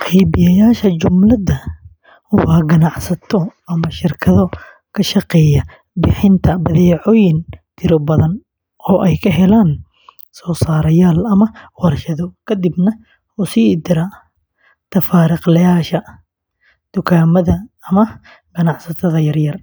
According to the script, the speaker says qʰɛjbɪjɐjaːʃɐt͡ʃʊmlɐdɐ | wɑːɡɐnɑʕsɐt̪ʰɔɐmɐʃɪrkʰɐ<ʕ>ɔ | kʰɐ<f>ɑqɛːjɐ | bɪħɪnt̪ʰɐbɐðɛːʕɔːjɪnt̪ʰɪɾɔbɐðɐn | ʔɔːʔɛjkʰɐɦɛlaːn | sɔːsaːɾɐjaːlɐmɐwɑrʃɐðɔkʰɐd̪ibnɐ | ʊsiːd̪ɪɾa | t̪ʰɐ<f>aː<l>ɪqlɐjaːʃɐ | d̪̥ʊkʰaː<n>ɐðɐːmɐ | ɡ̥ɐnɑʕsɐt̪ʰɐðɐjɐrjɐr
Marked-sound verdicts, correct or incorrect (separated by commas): incorrect, incorrect, correct, incorrect, incorrect